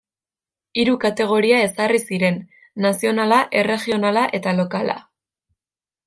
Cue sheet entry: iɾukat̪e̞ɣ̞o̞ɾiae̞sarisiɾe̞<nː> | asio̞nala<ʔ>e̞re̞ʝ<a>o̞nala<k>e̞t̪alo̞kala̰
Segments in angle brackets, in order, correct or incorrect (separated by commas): correct, correct, incorrect, incorrect